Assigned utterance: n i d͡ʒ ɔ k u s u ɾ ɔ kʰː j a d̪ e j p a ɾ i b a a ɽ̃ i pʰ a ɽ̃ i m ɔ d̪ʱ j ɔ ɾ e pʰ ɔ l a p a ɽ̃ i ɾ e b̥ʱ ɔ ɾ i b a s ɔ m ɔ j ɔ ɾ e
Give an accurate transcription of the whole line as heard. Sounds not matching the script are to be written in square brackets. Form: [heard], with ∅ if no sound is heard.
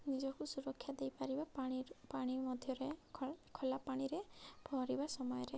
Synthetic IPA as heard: n i d͡ʒ ɔ k u s u ɾ ɔ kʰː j a d̪ e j p a ɾ i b a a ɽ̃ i [p] a ɽ̃ i m ɔ d̪ʱ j ɔ ɾ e [kʰ] ɔ l a p a ɽ̃ i ɾ e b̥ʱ ɔ ɾ i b a s ɔ m ɔ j ɔ ɾ e

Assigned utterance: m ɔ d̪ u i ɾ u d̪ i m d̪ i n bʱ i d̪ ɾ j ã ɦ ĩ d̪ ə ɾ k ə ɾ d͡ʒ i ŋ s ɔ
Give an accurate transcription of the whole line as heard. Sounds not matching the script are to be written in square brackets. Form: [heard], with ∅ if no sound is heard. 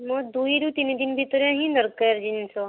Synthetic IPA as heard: m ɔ d̪ u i ɾ u [t̪] i [n] d̪ i n bʱ i [t̪] ɾ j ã ɦ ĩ d̪ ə ɾ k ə ɾ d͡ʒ i [n] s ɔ

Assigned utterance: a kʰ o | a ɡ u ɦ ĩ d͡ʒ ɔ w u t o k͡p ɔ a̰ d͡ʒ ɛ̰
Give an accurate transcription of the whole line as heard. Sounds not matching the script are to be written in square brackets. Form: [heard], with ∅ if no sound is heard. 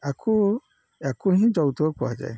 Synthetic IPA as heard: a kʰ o | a [k] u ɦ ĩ d͡ʒ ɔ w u t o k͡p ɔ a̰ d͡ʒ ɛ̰

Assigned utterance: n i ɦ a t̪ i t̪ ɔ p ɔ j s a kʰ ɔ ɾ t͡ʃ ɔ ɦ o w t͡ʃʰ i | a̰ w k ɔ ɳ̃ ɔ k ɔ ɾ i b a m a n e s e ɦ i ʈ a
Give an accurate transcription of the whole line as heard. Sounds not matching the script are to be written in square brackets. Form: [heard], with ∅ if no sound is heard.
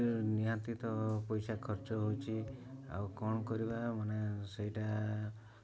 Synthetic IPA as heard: n i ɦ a t̪ i t̪ ɔ p ɔ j s a kʰ ɔ ɾ t͡ʃ ɔ ɦ o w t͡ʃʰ i | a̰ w k ɔ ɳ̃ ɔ k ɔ ɾ i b a m a n e s e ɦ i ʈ a

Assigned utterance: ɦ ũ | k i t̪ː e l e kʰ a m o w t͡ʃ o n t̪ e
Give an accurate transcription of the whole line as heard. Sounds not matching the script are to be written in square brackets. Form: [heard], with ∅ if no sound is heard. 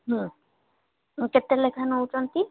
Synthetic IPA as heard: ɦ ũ | k [e] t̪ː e l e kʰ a [n] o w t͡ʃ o n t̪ [i]

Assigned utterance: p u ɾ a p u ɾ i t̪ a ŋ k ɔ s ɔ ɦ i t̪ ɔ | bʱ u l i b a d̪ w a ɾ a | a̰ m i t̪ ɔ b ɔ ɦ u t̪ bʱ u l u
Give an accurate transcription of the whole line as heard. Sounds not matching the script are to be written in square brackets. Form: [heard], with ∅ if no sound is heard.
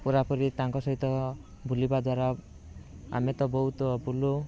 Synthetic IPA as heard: p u ɾ a p [ɔ] ɾ i t̪ a ŋ k ɔ s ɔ ɦ i t̪ ɔ | bʱ u l i b a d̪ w a ɾ a | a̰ m [e] t̪ ɔ b ɔ ɦ u t̪ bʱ u l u

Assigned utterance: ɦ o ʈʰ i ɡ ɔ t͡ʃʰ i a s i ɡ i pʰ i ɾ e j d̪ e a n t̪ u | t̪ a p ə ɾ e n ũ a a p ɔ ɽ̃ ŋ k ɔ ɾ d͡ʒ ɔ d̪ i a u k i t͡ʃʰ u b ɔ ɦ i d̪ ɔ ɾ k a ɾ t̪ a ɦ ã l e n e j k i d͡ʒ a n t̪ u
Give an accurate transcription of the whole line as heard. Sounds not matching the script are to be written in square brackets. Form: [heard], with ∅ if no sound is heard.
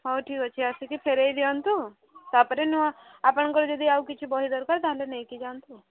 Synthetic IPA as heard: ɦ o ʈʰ i [k] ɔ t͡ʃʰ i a s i [k] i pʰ [e] ɾ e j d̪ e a n t̪ u | t̪ a p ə ɾ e n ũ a a p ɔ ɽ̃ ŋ k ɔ ɾ d͡ʒ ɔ d̪ i a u k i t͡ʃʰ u b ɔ ɦ i d̪ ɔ ɾ k a ɾ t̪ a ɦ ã l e n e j k i d͡ʒ a n t̪ u

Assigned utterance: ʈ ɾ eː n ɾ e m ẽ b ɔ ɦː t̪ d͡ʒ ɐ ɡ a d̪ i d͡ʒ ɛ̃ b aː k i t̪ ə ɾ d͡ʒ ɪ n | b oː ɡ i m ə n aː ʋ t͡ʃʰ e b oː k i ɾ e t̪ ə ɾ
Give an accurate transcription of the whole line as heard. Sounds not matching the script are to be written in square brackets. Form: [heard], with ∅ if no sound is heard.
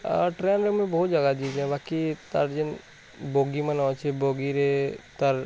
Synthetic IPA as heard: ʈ ɾ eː n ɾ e m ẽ b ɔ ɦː t̪ d͡ʒ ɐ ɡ a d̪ i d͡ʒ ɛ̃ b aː k i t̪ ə ɾ d͡ʒ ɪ n | b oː ɡ i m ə n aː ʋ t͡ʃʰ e b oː [ɡ] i ɾ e t̪ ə ɾ

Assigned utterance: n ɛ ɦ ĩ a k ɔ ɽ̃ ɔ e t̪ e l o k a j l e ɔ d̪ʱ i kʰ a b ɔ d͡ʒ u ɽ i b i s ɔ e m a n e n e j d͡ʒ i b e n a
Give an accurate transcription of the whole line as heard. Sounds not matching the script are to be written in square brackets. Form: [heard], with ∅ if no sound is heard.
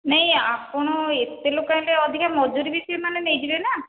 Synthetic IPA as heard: n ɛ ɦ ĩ a [p] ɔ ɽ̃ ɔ e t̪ e l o k a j l e ɔ d̪ʱ i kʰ a [m] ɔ d͡ʒ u [ɾ] i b i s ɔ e m a n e n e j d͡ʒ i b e n a

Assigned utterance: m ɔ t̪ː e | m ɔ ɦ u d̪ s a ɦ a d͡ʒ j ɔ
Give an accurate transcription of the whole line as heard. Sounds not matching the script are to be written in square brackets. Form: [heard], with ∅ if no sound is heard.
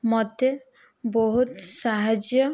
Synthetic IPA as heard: m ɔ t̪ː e | [b] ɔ ɦ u [t̪] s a ɦ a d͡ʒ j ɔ

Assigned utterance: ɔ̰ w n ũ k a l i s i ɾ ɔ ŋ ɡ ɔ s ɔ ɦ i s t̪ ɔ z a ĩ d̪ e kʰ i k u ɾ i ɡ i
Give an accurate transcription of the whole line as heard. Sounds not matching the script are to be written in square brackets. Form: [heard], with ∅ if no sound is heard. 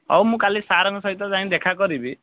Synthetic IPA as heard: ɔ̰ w [m] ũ k a l i s [a] ɾ ɔ ŋ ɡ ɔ s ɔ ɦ i [∅] t̪ ɔ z a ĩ d̪ e kʰ [a] k [ɔ] ɾ i [b] i

